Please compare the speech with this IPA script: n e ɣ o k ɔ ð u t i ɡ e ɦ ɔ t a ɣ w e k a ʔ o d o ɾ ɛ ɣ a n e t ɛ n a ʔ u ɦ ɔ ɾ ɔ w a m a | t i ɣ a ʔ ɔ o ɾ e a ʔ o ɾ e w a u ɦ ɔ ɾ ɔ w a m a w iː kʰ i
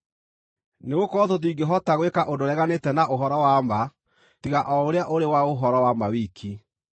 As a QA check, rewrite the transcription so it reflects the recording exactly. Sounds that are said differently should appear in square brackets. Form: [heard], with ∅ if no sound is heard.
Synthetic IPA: n e ɣ o k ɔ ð [o] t i ɡ e ɦ ɔ t a ɣ w e k a ʔ o d o ɾ ɛ ɣ a n e t ɛ n a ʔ [o] ɦ ɔ ɾ ɔ w a m a | t i ɣ a ʔ ɔ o ɾ e a ʔ o ɾ e w a [o] ɦ ɔ ɾ ɔ w a m a w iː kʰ i